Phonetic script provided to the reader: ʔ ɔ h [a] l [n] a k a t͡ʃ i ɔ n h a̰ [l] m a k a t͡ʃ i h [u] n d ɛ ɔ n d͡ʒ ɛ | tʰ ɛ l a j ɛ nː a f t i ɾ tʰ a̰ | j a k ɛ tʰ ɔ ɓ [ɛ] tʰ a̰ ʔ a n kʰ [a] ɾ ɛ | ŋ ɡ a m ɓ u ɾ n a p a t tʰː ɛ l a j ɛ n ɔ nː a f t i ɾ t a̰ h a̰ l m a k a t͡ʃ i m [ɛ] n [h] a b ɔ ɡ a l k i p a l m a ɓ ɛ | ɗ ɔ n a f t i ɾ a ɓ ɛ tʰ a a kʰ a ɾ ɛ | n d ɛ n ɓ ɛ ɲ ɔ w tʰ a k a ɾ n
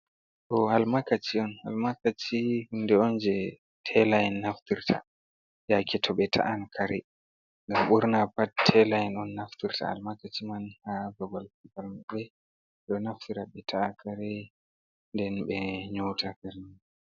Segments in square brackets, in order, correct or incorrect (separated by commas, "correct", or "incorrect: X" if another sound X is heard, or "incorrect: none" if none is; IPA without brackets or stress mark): correct, incorrect: m, correct, correct, correct, correct, incorrect: a, correct